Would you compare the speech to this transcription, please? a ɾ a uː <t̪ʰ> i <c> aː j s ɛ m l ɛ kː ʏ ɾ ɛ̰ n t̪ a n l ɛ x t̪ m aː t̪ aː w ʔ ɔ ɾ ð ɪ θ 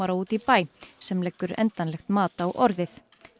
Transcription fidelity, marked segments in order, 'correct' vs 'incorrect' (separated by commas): incorrect, incorrect